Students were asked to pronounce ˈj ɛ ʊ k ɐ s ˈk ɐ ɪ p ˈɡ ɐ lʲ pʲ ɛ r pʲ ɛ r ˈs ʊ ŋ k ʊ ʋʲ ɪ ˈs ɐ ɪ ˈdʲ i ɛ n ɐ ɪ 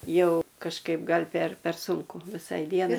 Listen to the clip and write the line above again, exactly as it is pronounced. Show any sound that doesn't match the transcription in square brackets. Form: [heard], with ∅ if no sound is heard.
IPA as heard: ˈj ɛ ʊ k ɐ [ʃ] ˈk ɐ ɪ p ˈɡ ɐ lʲ pʲ ɛ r pʲ ɛ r ˈs ʊ ŋ k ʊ ʋʲ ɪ ˈs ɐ ɪ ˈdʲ i ɛ n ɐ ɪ